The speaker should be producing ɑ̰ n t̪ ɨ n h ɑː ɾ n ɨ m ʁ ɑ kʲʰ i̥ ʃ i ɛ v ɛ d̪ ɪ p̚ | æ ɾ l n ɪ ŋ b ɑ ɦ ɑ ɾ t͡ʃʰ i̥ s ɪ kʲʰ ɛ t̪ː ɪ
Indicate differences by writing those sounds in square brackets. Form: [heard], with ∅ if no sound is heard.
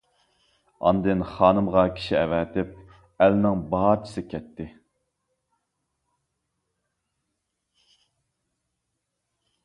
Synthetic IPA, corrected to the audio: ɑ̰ n [d̪] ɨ n [χ] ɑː [∅] n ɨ m ʁ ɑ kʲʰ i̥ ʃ i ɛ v ɛ [t̪] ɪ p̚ | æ [∅] l n ɪ ŋ b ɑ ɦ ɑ ɾ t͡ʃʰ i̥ s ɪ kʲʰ ɛ t̪ː ɪ